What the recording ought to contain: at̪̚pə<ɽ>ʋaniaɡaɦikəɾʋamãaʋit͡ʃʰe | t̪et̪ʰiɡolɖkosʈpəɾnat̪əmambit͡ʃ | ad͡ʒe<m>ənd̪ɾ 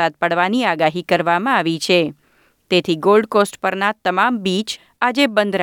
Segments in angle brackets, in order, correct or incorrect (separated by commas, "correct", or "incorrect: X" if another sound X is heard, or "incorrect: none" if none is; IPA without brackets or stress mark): correct, incorrect: b